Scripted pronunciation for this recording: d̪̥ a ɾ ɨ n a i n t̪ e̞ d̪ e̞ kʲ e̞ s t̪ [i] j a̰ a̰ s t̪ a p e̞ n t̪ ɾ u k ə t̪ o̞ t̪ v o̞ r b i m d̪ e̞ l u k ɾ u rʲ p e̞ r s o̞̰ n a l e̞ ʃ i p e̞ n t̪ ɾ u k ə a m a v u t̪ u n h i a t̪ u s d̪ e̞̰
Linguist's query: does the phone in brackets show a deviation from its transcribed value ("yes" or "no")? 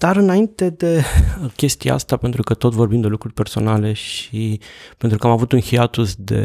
no